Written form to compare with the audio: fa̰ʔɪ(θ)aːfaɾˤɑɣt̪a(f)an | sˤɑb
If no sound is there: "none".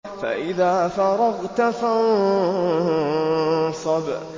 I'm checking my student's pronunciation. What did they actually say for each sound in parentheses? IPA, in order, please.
ð, f

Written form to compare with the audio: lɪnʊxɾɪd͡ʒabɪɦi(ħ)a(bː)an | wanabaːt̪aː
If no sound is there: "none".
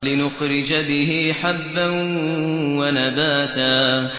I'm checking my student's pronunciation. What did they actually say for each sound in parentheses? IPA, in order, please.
ħ, bː

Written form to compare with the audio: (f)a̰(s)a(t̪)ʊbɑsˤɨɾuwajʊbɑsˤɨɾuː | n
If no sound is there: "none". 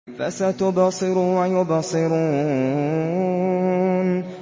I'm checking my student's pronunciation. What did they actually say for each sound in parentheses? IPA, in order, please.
f, s, t̪

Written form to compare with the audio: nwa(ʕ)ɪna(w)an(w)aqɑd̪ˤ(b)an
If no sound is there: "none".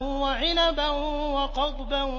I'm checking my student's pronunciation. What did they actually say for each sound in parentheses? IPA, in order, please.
ʕ, b, w, b

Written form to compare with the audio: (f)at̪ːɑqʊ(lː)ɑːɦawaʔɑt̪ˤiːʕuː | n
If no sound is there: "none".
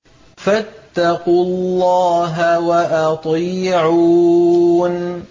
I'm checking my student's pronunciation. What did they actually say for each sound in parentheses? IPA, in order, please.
f, lː

